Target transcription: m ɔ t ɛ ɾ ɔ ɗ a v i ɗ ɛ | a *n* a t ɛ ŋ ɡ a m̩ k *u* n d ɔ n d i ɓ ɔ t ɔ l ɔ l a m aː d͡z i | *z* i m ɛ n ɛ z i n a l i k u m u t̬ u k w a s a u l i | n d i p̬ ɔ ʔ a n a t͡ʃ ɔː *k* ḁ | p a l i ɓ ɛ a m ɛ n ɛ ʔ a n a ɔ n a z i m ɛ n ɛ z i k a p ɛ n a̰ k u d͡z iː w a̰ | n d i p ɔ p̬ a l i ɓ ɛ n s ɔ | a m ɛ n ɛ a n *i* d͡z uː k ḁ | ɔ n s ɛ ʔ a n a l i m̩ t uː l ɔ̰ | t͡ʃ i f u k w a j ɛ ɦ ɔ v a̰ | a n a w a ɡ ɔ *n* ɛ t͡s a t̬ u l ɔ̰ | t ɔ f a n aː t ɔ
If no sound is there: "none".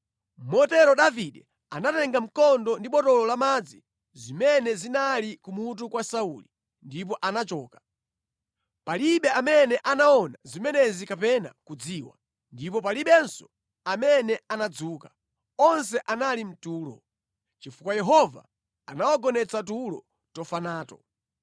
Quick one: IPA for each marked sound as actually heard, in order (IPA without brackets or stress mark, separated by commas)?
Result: n, ɔ, z, k, a, n